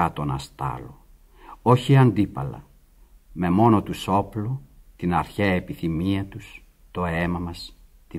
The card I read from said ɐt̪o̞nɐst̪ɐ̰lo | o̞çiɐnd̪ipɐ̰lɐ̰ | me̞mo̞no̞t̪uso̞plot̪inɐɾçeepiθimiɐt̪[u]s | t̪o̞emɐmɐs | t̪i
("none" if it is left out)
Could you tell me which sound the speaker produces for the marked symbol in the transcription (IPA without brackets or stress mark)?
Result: u